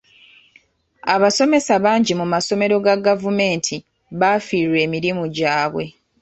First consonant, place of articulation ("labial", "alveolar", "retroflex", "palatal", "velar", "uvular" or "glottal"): labial